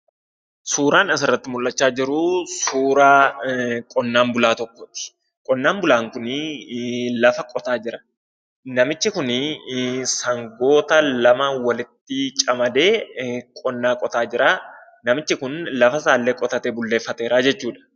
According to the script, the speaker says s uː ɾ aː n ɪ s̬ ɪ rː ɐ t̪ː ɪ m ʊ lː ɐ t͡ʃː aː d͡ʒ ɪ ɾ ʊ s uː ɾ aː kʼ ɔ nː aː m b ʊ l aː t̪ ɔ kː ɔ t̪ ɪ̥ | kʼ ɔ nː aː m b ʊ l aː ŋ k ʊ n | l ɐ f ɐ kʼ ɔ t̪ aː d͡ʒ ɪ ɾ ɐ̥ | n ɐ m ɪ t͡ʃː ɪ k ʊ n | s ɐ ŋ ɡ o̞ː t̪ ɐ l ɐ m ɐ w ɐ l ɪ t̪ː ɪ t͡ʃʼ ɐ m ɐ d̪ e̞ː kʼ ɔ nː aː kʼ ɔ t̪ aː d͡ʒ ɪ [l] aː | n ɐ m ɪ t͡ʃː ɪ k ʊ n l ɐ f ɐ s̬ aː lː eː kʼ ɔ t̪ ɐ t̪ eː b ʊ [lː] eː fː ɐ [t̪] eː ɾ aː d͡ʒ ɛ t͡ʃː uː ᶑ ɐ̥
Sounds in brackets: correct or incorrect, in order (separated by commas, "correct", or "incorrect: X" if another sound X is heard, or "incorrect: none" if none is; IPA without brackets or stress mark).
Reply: incorrect: ɾ, correct, correct